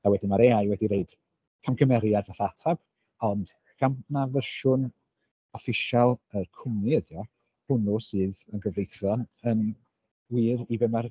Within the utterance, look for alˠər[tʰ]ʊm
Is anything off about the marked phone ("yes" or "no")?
yes